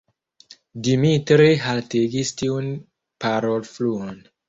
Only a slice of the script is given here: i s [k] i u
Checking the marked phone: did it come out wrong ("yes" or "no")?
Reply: yes